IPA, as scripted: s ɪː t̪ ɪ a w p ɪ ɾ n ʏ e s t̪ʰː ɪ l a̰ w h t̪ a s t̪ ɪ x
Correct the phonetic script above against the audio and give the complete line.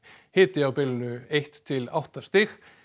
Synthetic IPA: h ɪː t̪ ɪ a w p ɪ l n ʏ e h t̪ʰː ɪ l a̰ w h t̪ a s t̪ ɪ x